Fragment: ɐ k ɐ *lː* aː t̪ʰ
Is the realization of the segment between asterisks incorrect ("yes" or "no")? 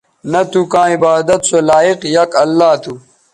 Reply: no